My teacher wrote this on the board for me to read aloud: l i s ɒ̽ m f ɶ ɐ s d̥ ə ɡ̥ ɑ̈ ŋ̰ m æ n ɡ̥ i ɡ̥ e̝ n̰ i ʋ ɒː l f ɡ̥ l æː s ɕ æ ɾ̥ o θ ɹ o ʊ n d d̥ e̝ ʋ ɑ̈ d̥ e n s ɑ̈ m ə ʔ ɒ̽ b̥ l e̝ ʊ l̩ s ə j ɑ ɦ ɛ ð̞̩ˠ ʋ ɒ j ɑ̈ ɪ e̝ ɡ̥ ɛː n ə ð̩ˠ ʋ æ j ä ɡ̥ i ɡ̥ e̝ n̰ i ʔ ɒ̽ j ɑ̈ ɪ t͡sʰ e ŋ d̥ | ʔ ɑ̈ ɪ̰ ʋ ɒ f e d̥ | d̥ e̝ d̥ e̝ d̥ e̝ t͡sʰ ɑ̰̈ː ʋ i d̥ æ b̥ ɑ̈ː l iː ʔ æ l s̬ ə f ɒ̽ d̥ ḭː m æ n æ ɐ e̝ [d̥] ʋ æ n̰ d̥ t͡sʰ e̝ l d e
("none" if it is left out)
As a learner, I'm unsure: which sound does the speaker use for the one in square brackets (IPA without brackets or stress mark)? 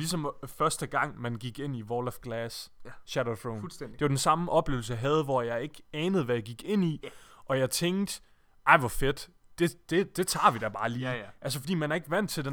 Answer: ɡ̥